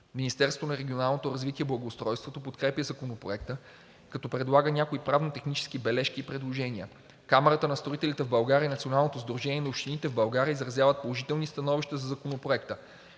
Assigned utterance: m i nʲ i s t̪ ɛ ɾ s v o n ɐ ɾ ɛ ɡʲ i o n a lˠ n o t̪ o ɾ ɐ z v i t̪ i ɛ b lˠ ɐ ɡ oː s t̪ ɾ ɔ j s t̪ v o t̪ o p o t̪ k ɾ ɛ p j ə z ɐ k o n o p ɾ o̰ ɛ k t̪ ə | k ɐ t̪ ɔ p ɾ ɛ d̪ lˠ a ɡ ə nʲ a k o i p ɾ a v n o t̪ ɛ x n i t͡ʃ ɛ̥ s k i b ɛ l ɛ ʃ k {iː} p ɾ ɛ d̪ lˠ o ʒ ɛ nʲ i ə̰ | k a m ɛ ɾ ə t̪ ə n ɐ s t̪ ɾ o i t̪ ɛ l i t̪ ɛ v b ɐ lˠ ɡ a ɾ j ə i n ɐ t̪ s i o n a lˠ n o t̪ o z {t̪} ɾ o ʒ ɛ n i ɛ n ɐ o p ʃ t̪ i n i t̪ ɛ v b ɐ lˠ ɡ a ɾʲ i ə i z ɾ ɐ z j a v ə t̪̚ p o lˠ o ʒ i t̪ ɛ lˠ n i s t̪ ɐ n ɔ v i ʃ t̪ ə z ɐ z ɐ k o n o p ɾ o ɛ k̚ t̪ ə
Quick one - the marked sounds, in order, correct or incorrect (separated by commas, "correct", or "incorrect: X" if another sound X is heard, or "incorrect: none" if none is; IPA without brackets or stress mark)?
correct, incorrect: d̪